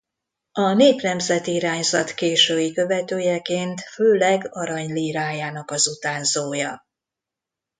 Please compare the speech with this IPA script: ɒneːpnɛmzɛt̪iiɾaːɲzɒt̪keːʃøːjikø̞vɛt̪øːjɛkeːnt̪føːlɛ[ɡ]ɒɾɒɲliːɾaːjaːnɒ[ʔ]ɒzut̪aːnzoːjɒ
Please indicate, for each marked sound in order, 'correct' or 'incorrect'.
correct, incorrect: k

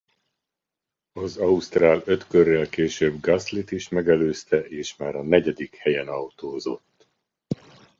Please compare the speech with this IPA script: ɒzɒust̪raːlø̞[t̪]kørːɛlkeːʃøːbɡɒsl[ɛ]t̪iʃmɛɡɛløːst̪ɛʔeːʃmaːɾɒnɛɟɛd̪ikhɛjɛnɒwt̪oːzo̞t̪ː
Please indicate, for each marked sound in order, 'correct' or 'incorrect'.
correct, incorrect: i

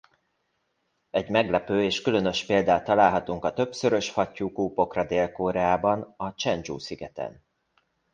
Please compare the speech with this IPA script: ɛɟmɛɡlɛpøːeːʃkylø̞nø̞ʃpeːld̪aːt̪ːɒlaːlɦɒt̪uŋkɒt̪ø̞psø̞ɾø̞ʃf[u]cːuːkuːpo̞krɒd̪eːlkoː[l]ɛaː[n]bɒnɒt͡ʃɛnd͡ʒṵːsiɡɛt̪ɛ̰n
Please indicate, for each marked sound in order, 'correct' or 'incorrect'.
incorrect: ɒ, incorrect: ɾ, incorrect: none

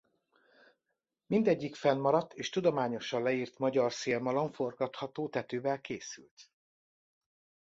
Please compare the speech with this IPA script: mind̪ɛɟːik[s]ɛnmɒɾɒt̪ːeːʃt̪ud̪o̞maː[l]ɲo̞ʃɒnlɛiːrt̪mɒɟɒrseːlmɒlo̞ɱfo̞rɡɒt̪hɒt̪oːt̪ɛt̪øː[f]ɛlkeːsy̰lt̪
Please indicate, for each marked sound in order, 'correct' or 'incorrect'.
incorrect: f, incorrect: none, incorrect: v

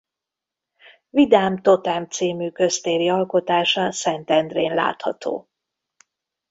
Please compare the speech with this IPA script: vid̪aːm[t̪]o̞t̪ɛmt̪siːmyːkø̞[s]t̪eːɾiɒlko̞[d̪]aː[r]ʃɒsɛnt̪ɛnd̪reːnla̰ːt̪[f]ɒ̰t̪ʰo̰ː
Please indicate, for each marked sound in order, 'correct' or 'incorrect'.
correct, correct, incorrect: t̪, incorrect: none, incorrect: h

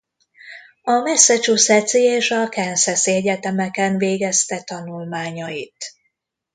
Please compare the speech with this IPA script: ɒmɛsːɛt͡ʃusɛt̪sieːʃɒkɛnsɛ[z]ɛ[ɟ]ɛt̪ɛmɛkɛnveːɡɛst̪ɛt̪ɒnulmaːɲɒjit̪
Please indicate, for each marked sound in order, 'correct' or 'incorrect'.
incorrect: s, correct

